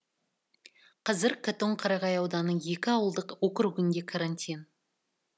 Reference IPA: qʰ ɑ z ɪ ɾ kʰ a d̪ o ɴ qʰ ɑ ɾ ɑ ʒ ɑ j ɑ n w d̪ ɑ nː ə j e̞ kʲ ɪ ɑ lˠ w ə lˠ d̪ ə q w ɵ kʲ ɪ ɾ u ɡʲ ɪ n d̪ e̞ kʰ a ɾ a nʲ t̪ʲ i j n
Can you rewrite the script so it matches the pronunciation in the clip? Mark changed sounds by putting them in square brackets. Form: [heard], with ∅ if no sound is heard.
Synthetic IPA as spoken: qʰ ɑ z ɪ ɾ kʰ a [t̪] o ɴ qʰ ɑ ɾ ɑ [ʁ] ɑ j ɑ [∅] w d̪ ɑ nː ə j e̞ kʲ ɪ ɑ [∅] w ə lˠ d̪ ə q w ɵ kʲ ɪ ɾ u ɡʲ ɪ n d̪ e̞ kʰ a ɾ a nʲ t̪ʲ i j n